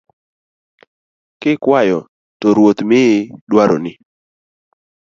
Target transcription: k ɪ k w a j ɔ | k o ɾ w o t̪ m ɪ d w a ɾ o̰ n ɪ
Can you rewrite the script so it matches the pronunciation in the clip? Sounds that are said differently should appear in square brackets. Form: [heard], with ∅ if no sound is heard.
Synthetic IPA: k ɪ k w a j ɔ | [t] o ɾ w o t̪ m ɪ d w a ɾ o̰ n ɪ

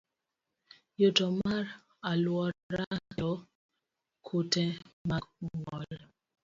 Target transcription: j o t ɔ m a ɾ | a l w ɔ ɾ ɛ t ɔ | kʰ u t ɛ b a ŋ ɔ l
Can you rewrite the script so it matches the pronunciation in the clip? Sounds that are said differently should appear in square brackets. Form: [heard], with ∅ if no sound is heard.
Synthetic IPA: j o t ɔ m a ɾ | a l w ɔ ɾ [a] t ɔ | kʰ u t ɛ [m] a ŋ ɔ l

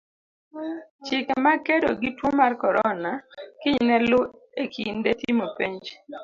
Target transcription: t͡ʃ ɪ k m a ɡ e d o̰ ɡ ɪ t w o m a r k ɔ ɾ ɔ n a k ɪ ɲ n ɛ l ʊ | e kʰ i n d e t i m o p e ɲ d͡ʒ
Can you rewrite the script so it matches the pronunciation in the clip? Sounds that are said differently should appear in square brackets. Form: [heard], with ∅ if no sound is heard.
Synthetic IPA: t͡ʃ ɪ k m a [k] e d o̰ ɡ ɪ t w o m a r k ɔ ɾ ɔ n a k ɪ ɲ n ɛ l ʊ | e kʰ i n d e t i m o p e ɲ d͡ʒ

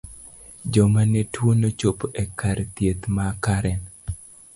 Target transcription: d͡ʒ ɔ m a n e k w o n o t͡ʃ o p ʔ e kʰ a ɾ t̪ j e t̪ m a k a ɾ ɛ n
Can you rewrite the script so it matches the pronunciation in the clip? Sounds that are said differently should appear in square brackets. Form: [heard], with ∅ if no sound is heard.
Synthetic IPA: d͡ʒ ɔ m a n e [t] w o n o t͡ʃ o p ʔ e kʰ a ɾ t̪ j e t̪ m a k a ɾ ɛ n

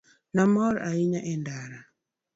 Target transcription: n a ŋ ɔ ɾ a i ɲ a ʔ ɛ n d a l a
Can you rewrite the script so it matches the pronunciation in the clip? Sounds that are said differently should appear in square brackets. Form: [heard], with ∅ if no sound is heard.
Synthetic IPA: n a [m] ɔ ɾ a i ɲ a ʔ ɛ n d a [ɾ] a

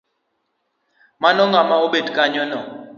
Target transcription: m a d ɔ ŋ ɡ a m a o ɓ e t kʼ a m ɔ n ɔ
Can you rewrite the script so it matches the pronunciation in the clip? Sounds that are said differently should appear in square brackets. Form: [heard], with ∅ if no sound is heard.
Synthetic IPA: m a [n] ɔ ŋ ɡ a m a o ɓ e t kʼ a [ɲ] ɔ n ɔ

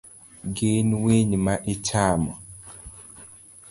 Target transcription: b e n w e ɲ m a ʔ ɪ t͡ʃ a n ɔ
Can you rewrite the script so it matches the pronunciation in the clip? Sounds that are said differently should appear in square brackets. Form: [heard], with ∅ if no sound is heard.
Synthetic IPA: [ɡ] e n w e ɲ m a ʔ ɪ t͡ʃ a [m] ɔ

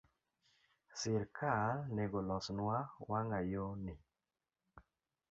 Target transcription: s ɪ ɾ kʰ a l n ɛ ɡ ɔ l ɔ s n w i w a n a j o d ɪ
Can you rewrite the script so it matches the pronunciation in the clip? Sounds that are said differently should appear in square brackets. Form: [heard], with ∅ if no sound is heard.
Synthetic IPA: s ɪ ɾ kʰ a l n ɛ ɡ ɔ l ɔ s n w [a] w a [ŋ] a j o [n] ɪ

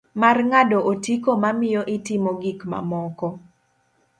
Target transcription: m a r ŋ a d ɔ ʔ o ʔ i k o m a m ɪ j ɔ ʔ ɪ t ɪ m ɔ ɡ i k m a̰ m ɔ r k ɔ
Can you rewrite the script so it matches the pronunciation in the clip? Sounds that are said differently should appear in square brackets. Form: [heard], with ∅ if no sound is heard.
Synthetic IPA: m a r ŋ a d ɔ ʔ o [t] i k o m a m ɪ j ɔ ʔ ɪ t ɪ m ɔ ɡ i k m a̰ m ɔ [∅] k ɔ

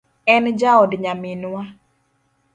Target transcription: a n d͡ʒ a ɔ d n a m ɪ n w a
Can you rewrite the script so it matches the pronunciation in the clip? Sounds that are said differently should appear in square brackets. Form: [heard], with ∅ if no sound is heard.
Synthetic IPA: [ɛ] n d͡ʒ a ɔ d [ɲ] a m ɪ n w a

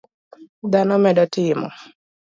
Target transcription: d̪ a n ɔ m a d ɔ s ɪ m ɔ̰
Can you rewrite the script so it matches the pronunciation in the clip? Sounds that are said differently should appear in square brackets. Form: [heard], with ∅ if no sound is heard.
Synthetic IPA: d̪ a n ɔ m [ɛ] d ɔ [t] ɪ m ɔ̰

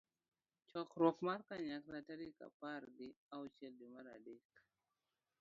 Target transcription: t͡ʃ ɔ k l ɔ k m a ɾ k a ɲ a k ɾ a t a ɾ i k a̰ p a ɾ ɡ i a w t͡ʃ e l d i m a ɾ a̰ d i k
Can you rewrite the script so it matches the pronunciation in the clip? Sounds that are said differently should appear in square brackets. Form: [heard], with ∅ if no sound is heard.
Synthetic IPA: t͡ʃ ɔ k [ɾ] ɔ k m a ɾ k a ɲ a k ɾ a t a ɾ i k a̰ p a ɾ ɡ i a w t͡ʃ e l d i m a ɾ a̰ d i k

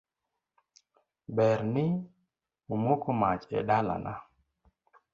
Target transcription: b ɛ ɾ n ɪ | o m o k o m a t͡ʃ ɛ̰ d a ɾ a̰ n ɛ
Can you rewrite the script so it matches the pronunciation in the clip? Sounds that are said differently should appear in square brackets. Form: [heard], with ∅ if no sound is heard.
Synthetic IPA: b ɛ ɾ n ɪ | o m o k o m a t͡ʃ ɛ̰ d a [l] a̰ n [a]

